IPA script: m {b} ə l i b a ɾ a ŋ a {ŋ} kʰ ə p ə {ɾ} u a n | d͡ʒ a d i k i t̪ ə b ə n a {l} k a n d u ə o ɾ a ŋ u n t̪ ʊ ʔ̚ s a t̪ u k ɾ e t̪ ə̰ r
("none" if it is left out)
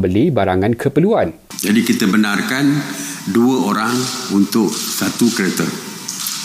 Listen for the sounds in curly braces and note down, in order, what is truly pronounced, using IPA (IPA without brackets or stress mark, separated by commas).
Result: b, n, l, r